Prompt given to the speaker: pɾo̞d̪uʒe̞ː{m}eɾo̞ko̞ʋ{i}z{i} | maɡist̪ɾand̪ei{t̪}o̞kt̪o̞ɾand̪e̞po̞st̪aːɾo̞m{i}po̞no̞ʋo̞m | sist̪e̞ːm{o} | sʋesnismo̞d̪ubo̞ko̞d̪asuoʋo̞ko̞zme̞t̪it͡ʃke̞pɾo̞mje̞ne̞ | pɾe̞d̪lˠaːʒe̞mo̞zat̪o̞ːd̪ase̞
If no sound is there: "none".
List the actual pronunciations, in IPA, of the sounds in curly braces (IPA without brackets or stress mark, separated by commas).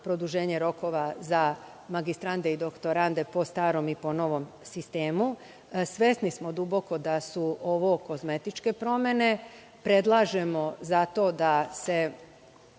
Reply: ɲ, a, a, d̪, i, u